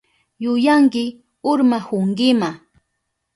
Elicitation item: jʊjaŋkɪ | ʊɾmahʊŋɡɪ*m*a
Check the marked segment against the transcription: correct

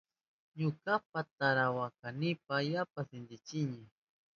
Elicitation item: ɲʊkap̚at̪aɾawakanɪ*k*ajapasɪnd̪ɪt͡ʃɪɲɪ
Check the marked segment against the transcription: incorrect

